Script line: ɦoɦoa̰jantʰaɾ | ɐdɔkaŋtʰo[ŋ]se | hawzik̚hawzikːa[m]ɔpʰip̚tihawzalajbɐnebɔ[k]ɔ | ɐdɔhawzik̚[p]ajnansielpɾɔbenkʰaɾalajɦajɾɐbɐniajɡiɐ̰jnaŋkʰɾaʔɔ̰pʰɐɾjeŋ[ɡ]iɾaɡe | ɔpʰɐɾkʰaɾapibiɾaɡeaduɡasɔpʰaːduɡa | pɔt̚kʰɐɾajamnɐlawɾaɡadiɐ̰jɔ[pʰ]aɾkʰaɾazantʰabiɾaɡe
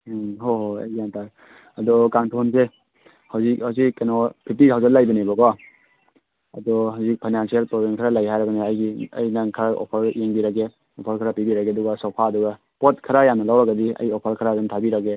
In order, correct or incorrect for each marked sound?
incorrect: n, incorrect: n, incorrect: ɡ, incorrect: pʰ, incorrect: b, correct

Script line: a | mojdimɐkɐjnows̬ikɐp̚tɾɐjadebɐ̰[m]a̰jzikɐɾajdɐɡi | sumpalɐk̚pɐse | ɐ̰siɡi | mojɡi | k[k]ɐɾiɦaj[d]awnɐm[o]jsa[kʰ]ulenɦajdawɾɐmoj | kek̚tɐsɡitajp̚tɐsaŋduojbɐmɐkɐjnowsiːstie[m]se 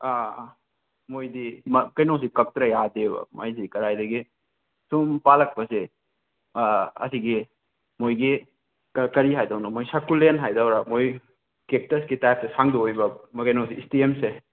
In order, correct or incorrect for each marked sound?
correct, correct, correct, correct, incorrect: k, correct

